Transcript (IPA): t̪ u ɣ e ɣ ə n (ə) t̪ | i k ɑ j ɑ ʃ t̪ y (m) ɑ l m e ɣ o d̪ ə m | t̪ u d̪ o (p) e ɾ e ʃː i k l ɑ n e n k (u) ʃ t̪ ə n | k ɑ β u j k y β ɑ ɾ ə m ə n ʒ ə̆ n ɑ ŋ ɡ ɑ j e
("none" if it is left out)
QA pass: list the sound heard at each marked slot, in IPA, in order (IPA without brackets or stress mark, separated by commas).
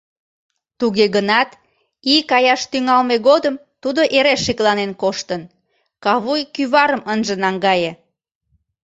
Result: ɑ, ŋ, ʔ, o